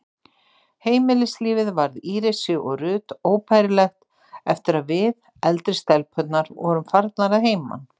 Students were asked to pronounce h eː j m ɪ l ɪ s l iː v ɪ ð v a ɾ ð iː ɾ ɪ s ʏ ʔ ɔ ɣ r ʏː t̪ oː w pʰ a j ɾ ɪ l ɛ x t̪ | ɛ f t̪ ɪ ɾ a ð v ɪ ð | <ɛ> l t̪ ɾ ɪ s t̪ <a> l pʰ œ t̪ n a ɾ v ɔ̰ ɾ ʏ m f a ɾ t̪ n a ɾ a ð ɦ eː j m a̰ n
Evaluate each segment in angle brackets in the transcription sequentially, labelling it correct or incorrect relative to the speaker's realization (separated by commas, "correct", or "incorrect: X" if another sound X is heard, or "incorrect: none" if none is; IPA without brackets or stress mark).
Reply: correct, incorrect: ɛ